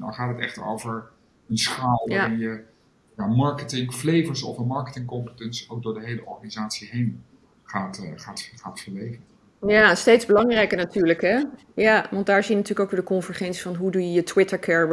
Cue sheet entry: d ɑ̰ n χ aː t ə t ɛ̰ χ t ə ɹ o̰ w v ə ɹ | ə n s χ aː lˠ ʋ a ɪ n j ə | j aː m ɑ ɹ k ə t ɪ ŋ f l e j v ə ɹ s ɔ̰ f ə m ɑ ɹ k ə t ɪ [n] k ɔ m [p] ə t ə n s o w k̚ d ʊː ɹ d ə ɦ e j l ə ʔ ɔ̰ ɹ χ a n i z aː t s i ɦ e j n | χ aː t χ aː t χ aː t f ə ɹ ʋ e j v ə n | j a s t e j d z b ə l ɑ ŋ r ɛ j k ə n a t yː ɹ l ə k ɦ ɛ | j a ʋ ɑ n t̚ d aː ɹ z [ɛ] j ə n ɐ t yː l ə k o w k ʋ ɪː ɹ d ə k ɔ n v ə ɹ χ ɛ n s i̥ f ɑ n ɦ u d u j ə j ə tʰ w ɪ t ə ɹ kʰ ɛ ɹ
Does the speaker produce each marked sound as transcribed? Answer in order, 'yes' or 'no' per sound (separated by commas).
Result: no, yes, no